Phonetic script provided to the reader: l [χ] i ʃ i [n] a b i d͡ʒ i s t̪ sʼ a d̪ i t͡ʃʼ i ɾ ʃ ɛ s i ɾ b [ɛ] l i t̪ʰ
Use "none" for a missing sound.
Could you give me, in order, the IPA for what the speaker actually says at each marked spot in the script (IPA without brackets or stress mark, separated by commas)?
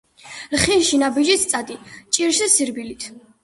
χ, n, i